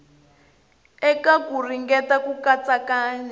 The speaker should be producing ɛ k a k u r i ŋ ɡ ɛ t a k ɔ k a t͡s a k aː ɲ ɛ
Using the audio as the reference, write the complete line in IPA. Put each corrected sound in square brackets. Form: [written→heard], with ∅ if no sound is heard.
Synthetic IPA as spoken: ɛ k a k u r i ŋ ɡ ɛ t a k [ɔ→u] k a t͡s a k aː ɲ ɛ